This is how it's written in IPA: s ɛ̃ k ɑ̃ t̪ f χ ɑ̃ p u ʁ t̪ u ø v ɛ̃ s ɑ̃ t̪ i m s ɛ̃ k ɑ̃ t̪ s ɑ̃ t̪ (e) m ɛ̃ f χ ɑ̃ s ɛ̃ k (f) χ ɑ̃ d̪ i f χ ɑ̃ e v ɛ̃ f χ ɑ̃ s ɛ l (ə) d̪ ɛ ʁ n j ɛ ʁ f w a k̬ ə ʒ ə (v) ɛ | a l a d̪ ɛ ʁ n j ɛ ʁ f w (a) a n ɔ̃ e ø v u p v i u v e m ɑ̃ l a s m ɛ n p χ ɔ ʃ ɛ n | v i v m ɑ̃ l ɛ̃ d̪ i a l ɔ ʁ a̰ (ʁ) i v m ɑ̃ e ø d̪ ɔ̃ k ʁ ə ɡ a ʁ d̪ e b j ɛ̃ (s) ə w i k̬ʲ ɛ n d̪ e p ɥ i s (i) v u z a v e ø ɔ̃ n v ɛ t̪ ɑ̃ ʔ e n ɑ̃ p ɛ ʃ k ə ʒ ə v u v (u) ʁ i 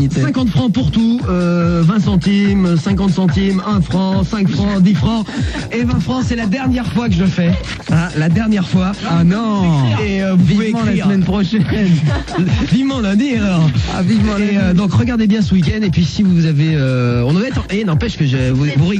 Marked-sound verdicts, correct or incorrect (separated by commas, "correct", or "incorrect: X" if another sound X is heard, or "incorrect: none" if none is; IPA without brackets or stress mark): incorrect: i, correct, incorrect: a, incorrect: f, correct, incorrect: v, correct, correct, correct